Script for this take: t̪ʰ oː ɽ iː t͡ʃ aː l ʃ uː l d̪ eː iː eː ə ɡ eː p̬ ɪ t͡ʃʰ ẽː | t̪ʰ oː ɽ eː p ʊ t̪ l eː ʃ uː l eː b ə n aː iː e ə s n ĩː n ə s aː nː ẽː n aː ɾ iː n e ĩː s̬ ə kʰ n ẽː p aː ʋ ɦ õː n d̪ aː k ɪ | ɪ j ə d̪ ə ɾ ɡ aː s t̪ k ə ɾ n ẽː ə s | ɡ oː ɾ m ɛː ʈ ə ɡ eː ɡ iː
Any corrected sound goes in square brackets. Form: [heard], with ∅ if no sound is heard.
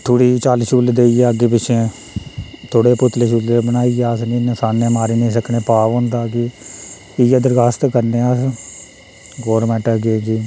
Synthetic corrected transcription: t̪ʰ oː ɽ iː t͡ʃ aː l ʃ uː l d̪ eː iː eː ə ɡ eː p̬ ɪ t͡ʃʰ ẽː | t̪ʰ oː ɽ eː p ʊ t̪ l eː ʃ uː l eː b ə n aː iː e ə s n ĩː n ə s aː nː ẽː [m] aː ɾ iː n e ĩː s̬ ə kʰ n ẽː p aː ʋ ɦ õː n d̪ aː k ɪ | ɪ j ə d̪ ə ɾ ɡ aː s t̪ k ə ɾ n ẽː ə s | ɡ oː ɾ m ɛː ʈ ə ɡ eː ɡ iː

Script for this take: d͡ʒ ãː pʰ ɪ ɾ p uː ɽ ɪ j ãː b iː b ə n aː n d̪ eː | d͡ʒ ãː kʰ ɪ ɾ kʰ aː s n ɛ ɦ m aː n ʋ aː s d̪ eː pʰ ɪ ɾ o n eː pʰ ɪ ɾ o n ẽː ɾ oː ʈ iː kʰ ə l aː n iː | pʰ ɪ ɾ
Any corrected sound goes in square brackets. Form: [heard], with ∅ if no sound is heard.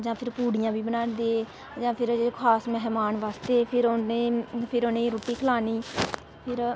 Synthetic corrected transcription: d͡ʒ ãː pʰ ɪ ɾ p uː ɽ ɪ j ãː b iː b ə n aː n d̪ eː | d͡ʒ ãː [pʰ] ɪ ɾ kʰ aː s [m] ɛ ɦ m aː n ʋ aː s [t̪] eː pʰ ɪ ɾ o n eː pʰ ɪ ɾ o n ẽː ɾ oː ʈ iː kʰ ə l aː n iː | pʰ ɪ ɾ

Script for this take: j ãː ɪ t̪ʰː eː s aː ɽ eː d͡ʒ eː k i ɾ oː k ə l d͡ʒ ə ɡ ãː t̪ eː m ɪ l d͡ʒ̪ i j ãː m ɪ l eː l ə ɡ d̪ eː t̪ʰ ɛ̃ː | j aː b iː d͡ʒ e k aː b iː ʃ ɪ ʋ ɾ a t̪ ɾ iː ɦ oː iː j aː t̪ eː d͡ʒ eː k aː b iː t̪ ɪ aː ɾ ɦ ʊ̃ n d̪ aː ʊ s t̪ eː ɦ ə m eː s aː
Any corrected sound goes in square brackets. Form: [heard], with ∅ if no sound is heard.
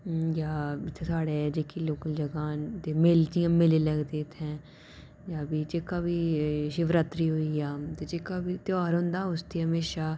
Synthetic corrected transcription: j [aː] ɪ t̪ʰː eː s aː ɽ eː d͡ʒ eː k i [l] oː k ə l d͡ʒ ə ɡ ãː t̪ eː m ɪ l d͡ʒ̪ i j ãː m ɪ l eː l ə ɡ d̪ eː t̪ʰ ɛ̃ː | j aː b iː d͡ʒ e k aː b iː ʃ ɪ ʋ ɾ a t̪ ɾ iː ɦ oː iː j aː t̪ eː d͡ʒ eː k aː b iː t̪ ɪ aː ɾ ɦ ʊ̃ n d̪ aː ʊ s t̪ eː ɦ ə m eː [ʃ] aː

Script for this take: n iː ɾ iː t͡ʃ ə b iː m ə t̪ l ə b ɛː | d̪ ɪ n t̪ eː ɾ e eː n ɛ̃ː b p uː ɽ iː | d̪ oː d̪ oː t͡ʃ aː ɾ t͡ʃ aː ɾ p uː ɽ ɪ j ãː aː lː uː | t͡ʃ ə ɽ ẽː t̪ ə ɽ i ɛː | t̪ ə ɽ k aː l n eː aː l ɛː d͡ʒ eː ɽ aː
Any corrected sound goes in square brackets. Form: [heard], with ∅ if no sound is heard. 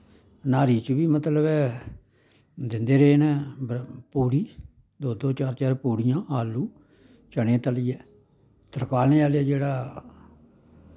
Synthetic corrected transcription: n [aː] ɾ iː t͡ʃ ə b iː m ə t̪ l ə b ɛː | d̪ ɪ n [d̪] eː ɾ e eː n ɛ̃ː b p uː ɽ iː | d̪ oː d̪ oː t͡ʃ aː ɾ t͡ʃ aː ɾ p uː ɽ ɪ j ãː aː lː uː | t͡ʃ ə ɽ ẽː t̪ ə [l] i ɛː | t̪ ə [ɾ] k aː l n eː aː l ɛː d͡ʒ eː ɽ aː

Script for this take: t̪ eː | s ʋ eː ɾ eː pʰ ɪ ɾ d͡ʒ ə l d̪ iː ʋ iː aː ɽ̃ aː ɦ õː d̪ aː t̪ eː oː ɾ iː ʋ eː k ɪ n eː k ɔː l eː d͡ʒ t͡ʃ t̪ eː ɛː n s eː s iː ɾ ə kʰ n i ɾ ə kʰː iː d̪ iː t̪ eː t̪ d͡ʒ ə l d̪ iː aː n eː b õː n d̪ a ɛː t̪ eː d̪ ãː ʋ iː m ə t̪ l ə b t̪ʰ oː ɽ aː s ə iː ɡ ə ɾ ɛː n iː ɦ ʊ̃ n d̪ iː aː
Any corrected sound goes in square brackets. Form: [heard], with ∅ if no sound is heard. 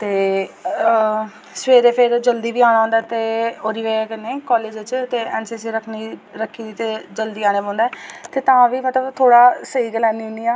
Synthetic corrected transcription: t̪ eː | s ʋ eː ɾ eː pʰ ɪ ɾ d͡ʒ ə l d̪ iː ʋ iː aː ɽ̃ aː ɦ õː d̪ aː t̪ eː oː ɾ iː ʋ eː k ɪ n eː k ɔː l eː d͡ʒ t͡ʃ t̪ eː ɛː n s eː s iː ɾ ə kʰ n i ɾ ə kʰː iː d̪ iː t̪ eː [∅] d͡ʒ ə l d̪ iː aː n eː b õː n d̪ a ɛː t̪ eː [t̪] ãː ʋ iː m ə t̪ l ə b t̪ʰ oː ɽ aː s ə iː ɡ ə [l] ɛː n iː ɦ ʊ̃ n d̪ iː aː

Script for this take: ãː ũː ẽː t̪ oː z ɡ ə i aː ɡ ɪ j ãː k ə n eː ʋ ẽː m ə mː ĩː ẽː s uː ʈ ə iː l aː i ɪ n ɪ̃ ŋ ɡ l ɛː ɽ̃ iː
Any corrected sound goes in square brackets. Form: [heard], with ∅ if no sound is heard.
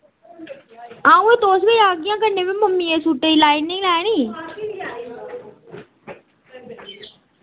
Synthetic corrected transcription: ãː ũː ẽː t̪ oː [s] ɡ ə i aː ɡ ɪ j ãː k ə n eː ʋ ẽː m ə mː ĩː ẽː s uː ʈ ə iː l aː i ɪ n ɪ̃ ŋ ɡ l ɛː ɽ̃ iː

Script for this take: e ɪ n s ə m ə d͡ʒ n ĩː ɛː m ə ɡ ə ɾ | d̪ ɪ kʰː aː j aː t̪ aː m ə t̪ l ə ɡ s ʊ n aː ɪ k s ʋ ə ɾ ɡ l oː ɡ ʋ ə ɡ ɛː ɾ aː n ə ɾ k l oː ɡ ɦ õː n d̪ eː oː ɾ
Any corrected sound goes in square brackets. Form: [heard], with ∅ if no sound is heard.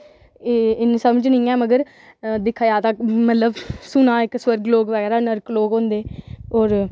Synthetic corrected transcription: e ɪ n s ə m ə d͡ʒ n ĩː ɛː m ə ɡ ə ɾ | d̪ ɪ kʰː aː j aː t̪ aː m ə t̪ l ə [b] s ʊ n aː ɪ k s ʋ ə ɾ ɡ l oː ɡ ʋ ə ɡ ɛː ɾ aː n ə ɾ k l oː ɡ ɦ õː n d̪ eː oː ɾ

